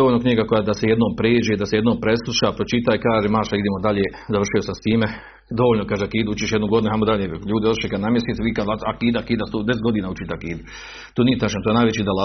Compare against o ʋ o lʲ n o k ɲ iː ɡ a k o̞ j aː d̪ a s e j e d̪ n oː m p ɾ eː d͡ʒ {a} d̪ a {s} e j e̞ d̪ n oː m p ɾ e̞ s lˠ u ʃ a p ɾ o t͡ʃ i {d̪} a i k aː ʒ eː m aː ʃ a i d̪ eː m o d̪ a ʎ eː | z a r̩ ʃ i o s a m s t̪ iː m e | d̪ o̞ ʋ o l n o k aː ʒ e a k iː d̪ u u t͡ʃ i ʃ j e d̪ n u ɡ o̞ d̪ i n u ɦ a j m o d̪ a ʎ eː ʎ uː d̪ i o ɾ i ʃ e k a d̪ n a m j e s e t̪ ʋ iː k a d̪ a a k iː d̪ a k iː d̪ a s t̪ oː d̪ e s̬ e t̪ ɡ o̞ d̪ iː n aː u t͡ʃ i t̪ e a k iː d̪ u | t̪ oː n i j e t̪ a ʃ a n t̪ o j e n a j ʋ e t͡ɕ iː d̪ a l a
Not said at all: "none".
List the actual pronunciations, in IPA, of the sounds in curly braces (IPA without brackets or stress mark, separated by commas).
e, s, t̪